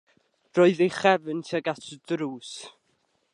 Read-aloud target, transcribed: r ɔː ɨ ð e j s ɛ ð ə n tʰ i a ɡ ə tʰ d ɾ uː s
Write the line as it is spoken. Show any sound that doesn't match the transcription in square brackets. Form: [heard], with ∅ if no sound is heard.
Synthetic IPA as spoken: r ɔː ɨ ð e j [χ] ɛ [v] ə n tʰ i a ɡ [a] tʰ d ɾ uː s